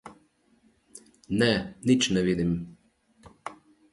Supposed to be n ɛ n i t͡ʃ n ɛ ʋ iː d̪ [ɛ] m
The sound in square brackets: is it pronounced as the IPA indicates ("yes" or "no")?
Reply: no